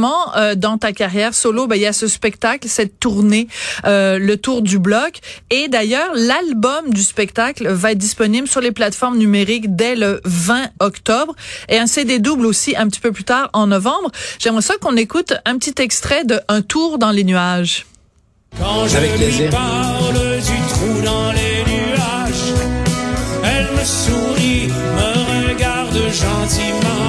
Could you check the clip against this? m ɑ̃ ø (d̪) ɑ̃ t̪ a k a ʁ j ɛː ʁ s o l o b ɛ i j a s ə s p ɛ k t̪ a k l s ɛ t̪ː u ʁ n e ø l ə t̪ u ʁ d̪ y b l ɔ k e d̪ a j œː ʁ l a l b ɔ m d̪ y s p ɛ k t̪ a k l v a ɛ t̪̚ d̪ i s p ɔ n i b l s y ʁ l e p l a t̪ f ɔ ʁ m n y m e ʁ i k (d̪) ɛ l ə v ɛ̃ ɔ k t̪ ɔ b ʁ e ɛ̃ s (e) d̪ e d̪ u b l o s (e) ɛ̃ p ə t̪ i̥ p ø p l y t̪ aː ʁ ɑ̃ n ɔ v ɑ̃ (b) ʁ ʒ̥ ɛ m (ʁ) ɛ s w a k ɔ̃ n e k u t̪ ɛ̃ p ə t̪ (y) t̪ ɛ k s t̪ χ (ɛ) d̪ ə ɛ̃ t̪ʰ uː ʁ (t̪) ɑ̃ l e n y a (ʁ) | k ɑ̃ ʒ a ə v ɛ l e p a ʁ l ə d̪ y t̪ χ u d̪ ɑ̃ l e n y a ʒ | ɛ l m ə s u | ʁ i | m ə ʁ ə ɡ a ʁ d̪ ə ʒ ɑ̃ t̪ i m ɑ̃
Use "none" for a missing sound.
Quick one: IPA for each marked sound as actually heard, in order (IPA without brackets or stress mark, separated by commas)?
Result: d̪, d̪, e, i, b, ʁ, i, ɛ, d̪, ʒ